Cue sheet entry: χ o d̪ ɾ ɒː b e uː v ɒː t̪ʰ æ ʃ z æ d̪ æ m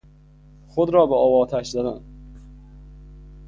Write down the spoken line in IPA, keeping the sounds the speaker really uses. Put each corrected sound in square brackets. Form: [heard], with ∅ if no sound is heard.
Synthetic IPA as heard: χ o d̪ ɾ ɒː b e [ɒː] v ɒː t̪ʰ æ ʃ z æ d̪ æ [n]